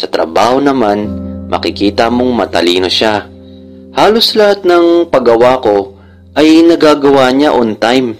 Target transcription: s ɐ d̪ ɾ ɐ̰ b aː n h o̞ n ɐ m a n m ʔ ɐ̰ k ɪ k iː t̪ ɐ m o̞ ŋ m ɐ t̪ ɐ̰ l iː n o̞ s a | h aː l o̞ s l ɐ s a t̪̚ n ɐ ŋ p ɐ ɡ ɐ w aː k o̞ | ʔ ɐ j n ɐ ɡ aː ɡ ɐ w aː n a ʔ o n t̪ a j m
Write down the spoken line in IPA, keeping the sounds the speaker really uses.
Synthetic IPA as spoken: s ɐ t̪ ɾ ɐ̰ b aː h o̞ n ɐ m a n m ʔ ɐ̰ k ɪ k iː t̪ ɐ m o̞ ŋ m ɐ t̪ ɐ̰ l iː n o̞ ʃ a | h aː l o̞ s l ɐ h a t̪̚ n ɐ ŋ p ɐ ɡ ɐ w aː k o̞ | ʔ ɐ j n ɐ ɡ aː ɡ ɐ w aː ɲ a ʔ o n t̪ a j m